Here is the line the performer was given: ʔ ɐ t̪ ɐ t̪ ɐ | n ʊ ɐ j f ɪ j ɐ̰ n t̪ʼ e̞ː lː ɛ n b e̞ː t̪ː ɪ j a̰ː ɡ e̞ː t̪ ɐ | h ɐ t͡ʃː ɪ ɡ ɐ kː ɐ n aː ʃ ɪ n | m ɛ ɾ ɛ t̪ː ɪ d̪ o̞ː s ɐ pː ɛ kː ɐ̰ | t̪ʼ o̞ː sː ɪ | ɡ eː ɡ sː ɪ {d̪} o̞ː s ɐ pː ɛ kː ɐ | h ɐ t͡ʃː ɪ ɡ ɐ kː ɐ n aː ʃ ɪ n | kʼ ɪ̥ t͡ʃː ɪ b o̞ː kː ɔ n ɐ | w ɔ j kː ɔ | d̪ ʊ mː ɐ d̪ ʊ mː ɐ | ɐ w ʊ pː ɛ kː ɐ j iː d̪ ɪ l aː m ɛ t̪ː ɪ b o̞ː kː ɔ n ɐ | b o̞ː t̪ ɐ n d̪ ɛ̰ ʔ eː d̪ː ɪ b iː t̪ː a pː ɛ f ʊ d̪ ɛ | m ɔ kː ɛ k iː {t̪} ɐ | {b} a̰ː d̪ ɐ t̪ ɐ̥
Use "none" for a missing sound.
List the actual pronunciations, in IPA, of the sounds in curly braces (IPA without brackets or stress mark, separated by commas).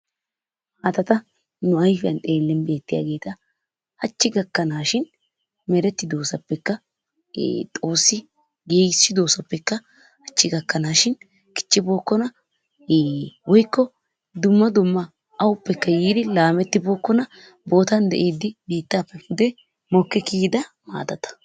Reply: d̪, d̪, m